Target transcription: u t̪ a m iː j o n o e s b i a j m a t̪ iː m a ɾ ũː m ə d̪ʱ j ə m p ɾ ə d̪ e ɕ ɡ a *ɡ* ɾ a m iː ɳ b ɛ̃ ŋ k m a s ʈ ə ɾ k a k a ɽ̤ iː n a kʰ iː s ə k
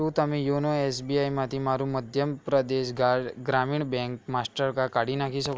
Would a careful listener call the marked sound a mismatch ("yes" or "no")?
no